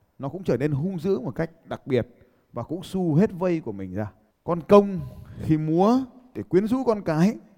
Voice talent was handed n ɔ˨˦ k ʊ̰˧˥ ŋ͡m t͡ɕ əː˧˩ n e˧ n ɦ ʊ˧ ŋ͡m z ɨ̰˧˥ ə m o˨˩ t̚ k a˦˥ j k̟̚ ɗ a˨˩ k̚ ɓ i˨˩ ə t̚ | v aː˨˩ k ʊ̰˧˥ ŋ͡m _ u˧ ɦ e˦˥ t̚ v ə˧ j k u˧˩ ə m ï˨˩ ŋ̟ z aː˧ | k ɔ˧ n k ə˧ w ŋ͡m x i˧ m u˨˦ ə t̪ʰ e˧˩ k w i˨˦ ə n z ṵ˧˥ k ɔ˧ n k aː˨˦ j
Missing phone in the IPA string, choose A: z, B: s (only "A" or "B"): B